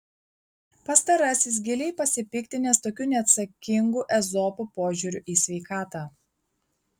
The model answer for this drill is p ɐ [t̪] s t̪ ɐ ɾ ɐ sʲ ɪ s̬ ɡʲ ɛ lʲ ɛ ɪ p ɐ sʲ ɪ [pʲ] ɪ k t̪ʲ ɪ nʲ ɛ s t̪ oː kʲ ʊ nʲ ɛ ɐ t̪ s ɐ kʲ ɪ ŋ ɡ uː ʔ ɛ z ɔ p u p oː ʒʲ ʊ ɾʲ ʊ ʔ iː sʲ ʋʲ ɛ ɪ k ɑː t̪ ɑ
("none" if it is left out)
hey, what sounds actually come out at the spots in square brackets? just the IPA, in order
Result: none, pʲ

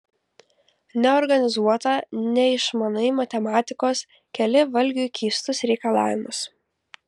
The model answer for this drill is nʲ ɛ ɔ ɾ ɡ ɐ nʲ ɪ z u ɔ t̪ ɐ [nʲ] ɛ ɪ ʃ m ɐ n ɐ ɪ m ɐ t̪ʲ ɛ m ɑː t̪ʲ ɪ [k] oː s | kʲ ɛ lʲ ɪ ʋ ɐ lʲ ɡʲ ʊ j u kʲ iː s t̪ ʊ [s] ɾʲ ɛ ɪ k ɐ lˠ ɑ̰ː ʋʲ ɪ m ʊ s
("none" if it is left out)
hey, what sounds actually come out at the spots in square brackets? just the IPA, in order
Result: nʲ, k, s

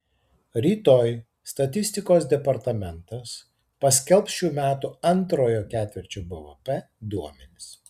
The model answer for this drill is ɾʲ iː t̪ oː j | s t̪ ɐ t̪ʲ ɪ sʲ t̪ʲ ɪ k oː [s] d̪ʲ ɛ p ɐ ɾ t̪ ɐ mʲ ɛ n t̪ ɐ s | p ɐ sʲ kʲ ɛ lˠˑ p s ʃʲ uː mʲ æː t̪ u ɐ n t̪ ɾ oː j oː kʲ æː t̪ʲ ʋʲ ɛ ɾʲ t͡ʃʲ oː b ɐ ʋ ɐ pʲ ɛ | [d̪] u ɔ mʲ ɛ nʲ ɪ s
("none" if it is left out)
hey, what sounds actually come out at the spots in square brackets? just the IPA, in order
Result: s, d̪

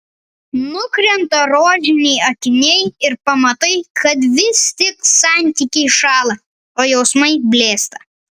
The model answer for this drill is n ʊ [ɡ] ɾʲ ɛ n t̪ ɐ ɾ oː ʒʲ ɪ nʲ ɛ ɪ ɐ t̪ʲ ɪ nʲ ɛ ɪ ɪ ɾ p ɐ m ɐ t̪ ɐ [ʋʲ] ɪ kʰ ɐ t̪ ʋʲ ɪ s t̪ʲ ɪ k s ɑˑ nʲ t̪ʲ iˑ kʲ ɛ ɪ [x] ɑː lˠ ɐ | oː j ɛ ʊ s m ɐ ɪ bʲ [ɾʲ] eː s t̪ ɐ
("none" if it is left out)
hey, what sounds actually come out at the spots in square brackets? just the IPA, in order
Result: k, none, ʃ, lʲ

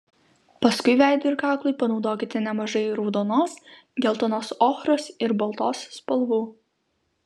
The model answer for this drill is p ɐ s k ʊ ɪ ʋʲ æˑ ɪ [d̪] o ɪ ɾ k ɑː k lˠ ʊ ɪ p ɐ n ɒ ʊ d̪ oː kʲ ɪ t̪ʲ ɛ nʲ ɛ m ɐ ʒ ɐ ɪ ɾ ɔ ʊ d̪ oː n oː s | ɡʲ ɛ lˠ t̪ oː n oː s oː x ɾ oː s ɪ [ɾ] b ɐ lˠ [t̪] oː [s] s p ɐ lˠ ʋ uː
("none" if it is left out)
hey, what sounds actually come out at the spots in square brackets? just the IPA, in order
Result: d̪, ɾ, t̪, s

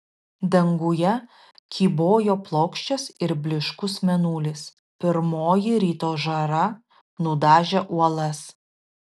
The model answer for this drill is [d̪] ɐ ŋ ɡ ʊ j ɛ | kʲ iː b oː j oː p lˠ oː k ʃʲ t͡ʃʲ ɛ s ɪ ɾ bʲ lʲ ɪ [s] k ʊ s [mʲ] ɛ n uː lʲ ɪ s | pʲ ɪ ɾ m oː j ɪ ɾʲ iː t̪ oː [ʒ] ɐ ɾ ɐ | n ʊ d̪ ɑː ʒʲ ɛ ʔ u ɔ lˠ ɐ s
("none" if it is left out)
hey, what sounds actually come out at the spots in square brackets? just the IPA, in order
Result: d̪, ʃ, mʲ, ʒ

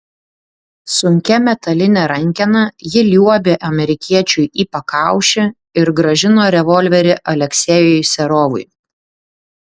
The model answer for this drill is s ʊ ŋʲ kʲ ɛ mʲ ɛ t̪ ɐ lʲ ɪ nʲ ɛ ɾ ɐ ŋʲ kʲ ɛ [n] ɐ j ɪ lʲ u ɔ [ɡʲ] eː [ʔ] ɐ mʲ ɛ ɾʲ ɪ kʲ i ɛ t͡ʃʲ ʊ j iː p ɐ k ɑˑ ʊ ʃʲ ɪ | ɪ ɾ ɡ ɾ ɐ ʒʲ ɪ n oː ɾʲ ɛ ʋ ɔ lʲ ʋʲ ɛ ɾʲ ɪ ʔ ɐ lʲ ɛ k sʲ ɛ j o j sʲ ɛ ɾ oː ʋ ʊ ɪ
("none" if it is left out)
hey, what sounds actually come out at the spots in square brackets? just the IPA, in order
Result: n, bʲ, ʔ

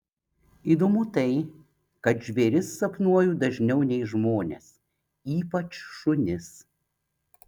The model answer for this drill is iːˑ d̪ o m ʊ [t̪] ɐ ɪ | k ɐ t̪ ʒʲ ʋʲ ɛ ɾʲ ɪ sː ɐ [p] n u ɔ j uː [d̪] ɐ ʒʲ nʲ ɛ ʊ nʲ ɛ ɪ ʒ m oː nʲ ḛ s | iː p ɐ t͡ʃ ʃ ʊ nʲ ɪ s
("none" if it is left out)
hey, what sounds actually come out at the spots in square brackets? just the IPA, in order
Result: t̪, p, d̪

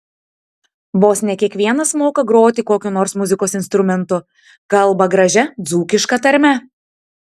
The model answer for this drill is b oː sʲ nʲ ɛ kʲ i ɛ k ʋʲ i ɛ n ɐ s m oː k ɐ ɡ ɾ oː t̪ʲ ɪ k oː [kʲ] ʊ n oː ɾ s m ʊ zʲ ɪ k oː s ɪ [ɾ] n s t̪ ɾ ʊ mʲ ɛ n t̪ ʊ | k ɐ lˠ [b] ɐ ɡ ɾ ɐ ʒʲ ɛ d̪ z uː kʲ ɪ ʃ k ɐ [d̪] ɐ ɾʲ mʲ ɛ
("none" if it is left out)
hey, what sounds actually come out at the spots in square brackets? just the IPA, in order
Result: kʲ, none, b, t̪

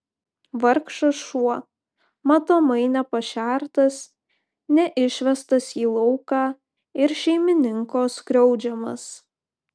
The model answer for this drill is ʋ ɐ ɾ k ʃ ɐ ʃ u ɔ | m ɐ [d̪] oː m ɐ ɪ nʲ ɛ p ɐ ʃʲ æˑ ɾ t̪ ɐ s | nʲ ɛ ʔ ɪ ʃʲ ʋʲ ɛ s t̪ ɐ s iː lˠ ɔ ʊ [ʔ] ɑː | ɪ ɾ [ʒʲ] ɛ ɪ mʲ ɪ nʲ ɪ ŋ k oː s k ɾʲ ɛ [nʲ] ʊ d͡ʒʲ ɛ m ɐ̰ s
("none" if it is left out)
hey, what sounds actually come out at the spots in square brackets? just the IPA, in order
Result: t̪, k, ʃʲ, none

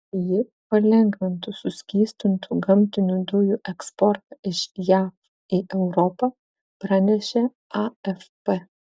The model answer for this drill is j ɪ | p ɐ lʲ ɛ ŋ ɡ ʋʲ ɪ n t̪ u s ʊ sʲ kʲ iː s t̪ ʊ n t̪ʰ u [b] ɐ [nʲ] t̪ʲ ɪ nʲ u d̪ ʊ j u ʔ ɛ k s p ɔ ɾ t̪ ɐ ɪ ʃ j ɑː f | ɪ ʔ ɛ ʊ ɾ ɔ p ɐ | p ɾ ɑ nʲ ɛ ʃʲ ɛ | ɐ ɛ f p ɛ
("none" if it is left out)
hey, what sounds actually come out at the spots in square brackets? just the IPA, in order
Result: ɡ, mʲ

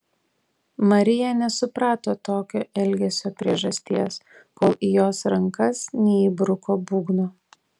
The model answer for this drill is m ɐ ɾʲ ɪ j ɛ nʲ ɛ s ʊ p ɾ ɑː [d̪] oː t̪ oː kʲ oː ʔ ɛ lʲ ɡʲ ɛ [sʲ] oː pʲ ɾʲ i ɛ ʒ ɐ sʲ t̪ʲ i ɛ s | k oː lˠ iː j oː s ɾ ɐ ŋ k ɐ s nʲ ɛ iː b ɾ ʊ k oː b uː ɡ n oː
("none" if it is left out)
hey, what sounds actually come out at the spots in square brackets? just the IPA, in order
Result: t̪, sʲ

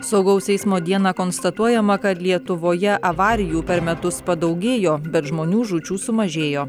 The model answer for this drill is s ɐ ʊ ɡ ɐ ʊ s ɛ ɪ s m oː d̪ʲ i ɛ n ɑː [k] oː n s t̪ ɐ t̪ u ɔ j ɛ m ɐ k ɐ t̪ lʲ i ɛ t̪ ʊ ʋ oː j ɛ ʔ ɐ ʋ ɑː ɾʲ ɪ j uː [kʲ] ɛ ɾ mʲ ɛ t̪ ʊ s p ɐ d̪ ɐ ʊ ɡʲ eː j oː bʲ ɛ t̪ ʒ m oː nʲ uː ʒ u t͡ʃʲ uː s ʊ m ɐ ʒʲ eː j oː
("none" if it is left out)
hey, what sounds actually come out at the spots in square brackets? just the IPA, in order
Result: k, pʲ

